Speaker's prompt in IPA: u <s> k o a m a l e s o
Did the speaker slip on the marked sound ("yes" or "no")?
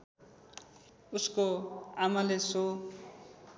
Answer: no